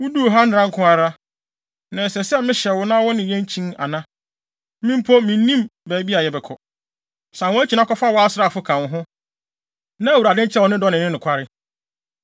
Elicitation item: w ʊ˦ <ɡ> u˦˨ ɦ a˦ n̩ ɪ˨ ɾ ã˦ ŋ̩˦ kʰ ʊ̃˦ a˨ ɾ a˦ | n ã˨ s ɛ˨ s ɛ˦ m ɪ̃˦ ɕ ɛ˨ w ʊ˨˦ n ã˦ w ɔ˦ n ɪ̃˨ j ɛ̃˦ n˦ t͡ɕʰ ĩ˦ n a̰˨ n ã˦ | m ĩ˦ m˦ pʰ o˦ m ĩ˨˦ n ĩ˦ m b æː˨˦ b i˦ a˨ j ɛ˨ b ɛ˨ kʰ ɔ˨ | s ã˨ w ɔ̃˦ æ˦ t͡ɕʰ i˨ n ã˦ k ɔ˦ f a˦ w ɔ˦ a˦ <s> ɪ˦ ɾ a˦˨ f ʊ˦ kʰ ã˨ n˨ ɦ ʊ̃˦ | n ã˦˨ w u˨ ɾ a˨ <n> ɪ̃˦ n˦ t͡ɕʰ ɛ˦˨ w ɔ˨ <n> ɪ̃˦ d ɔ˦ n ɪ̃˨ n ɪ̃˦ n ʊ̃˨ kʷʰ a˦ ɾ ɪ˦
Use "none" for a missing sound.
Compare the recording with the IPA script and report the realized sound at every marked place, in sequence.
d, s, d, n

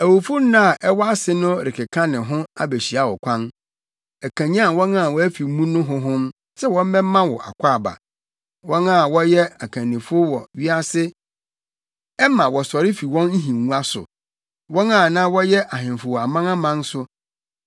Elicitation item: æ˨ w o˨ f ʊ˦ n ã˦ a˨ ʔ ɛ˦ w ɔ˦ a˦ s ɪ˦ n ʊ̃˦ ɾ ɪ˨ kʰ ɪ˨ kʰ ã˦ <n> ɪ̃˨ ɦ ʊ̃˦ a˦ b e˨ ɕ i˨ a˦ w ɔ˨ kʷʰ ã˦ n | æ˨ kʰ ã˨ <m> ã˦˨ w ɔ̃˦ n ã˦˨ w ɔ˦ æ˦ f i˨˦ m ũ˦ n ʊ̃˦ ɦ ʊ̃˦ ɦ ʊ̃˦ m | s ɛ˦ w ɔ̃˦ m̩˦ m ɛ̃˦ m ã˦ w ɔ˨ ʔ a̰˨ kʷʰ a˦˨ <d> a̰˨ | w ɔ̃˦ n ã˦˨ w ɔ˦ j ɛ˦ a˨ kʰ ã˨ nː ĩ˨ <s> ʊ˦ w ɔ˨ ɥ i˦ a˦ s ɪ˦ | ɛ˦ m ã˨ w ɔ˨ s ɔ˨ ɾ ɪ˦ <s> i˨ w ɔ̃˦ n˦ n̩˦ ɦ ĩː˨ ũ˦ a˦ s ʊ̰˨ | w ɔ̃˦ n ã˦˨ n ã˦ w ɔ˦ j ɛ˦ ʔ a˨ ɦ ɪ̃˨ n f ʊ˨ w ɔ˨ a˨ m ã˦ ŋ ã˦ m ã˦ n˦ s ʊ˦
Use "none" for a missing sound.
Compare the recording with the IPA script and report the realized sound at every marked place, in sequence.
n, ɲ, b, f, f

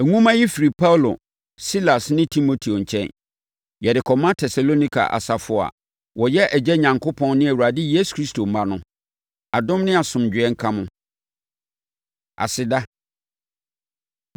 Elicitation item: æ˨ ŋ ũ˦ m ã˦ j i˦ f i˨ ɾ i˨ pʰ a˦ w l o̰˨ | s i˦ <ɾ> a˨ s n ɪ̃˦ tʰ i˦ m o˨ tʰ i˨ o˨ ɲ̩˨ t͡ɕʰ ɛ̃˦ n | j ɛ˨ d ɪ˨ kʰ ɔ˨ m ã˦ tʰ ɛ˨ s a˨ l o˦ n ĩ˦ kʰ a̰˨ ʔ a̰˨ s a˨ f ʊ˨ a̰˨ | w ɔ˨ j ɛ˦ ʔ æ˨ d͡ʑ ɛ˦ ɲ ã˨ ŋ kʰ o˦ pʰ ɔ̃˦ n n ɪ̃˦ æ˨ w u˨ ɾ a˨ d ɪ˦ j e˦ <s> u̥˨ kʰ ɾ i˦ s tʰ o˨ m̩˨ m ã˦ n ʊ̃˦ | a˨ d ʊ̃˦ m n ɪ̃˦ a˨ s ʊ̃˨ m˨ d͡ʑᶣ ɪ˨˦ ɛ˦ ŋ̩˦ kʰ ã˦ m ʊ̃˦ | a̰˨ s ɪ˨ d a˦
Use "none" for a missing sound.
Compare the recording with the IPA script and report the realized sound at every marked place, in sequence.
l, s

